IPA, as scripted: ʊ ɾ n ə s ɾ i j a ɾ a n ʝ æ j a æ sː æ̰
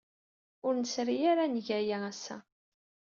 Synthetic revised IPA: ʊ ɾ n ə s ɾ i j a ɾ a n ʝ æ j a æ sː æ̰